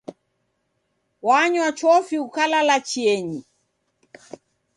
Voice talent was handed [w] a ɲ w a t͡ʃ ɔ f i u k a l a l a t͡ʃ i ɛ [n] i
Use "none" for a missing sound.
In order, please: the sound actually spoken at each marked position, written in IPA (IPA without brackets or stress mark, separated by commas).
w, ɲ